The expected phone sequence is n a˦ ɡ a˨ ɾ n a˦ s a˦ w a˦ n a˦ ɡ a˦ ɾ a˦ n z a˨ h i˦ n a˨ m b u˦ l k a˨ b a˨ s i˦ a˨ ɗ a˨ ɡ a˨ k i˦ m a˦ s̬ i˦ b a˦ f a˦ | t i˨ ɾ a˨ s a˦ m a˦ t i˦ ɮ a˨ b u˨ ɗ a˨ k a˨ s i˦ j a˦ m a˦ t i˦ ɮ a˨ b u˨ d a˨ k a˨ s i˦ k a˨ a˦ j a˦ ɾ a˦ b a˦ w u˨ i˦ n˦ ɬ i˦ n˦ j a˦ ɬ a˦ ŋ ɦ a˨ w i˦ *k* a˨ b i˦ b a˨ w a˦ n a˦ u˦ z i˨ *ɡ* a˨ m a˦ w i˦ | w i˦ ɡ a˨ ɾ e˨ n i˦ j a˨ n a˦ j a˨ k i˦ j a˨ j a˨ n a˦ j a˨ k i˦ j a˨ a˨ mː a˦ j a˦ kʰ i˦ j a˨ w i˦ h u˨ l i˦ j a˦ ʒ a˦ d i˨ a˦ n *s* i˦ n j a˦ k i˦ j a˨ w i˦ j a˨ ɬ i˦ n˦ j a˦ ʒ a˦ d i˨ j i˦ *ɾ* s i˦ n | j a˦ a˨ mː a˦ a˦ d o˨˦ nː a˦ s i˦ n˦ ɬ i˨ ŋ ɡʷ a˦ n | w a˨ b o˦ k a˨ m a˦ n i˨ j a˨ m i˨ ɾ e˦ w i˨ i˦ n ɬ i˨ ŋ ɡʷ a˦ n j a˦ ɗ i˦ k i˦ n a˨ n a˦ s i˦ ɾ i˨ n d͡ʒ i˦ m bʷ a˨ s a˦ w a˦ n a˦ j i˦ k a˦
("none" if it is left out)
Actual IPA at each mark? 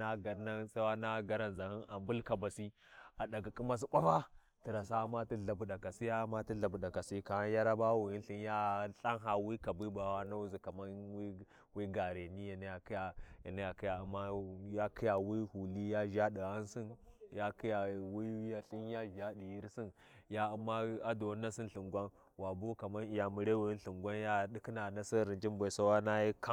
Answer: k, k, s, ɾ

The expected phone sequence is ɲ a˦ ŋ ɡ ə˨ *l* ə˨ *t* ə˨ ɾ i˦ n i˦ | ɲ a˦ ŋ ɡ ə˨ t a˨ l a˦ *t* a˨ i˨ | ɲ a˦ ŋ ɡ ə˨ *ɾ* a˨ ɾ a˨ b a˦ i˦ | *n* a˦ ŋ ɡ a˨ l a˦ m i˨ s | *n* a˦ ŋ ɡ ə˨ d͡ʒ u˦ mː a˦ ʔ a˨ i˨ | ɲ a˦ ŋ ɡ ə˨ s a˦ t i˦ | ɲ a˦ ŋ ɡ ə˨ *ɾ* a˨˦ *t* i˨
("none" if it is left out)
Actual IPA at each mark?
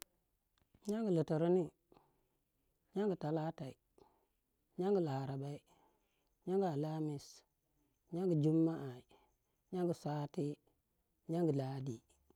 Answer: l, t, t, l, ɲ, ɲ, l, d

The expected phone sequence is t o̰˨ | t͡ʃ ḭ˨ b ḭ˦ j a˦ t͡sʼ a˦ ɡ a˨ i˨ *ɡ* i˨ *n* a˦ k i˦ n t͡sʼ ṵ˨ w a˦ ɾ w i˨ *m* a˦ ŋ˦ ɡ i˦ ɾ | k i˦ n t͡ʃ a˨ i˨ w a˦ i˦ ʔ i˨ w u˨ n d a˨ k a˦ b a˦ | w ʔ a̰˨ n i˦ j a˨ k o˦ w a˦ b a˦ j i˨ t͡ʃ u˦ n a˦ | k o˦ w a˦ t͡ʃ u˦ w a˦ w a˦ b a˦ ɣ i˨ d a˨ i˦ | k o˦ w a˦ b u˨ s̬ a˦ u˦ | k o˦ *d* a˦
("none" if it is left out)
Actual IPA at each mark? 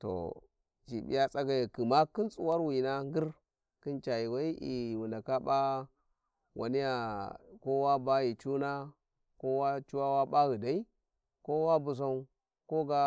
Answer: k, m, n, ɡ

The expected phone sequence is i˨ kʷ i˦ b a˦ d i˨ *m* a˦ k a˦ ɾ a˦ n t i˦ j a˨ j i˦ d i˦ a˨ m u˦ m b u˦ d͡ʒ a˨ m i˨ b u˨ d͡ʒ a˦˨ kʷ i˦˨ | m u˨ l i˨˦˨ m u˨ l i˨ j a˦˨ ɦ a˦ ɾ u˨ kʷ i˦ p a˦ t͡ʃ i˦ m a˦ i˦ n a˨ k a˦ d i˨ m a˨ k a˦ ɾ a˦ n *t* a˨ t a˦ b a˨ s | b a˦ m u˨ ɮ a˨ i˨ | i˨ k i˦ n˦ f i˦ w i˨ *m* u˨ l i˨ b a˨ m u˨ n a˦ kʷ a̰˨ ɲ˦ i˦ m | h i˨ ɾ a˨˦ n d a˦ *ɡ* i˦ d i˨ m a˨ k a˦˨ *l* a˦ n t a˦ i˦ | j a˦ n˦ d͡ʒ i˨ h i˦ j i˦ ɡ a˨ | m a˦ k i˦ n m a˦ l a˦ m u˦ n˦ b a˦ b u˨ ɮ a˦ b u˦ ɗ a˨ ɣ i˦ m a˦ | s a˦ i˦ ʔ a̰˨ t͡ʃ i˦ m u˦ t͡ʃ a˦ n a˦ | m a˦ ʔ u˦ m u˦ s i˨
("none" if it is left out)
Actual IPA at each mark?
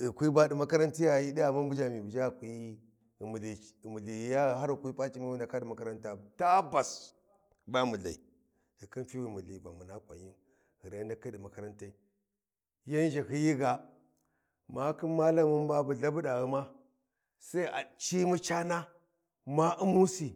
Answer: m, t, m, k, ɾ

